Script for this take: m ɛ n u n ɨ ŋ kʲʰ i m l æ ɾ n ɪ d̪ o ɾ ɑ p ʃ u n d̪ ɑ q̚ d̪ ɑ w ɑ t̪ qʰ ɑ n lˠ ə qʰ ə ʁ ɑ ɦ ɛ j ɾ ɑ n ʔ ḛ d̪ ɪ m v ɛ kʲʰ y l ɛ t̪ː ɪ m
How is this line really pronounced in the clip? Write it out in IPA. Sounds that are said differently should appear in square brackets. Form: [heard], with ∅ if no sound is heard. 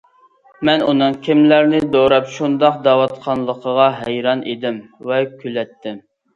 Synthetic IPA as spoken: m ɛ n u n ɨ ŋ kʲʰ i m l æ ɾ n ɪ d̪ o ɾ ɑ p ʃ u n d̪ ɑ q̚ d̪ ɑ w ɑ t̪ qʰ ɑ n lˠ ə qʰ ə ʁ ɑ ɦ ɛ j ɾ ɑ n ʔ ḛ d̪ ɪ m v ɛ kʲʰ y l ɛ t̪ː ɪ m